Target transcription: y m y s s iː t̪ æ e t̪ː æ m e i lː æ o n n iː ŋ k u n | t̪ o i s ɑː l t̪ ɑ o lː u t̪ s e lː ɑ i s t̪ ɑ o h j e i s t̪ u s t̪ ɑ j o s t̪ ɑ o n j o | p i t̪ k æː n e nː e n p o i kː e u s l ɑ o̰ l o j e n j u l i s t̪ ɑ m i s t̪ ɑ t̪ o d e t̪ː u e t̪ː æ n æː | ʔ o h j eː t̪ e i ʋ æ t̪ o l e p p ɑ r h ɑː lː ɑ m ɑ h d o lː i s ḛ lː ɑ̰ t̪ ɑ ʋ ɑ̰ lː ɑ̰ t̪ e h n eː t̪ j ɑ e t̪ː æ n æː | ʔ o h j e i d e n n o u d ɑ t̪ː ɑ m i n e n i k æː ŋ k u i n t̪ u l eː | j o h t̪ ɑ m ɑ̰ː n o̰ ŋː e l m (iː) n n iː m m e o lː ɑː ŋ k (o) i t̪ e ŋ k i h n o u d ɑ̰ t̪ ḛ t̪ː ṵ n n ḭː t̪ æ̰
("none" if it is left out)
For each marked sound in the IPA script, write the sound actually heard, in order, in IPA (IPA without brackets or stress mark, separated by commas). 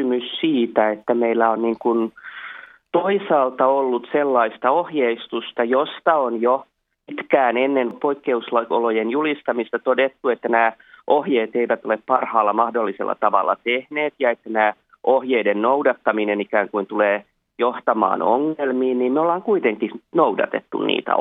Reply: iː, u